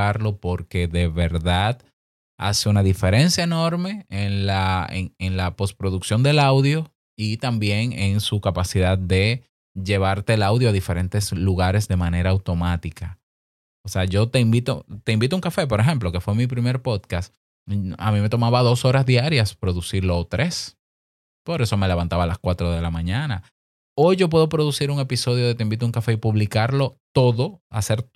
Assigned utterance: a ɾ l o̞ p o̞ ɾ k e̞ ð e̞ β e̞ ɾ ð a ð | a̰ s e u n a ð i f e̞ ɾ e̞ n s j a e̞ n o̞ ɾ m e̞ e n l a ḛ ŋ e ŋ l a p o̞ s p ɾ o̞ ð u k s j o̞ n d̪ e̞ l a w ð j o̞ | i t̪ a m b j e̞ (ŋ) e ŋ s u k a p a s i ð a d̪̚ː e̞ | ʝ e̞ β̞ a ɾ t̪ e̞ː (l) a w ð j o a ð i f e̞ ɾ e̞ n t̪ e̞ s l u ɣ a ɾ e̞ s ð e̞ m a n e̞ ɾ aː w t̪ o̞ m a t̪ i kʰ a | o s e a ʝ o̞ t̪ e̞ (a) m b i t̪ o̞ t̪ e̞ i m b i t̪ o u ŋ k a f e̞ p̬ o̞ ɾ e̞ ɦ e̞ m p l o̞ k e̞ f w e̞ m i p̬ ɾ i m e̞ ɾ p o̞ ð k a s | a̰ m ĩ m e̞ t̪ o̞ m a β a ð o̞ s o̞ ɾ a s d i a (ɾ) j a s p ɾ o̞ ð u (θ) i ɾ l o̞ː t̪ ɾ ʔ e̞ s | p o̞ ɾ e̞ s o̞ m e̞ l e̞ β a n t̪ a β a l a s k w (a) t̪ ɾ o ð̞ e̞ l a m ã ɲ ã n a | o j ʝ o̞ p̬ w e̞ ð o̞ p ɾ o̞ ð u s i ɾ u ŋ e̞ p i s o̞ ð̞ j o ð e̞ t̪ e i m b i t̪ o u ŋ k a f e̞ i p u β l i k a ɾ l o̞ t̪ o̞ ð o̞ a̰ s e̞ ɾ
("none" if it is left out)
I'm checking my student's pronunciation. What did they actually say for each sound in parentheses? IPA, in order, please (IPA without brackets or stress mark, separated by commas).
ŋ, l, i, ɾ, s, a